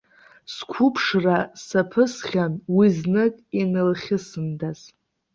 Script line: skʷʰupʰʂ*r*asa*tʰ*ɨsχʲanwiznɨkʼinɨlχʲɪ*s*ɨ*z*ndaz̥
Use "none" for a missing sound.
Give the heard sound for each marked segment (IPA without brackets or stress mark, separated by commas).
r, pʰ, s, none